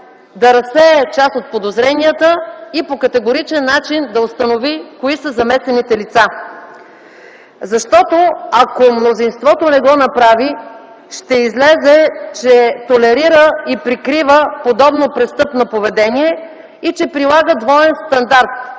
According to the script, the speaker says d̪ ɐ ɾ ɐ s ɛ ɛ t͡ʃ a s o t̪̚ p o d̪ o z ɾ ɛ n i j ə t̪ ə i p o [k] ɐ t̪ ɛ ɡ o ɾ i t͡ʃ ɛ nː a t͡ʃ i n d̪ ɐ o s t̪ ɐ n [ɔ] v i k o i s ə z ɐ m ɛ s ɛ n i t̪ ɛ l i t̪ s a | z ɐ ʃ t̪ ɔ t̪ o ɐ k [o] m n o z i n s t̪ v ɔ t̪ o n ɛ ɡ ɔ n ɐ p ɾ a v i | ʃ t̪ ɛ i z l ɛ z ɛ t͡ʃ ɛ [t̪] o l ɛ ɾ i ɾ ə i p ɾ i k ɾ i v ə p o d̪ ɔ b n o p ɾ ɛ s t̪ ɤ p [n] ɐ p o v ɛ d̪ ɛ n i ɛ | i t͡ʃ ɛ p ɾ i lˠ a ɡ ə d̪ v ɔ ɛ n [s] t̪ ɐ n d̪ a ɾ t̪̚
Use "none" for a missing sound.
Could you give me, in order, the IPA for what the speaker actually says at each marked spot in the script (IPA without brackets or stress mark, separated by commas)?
k, o, o, t̪, n, s